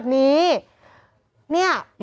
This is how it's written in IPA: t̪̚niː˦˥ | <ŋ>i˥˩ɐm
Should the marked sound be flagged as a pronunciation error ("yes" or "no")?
yes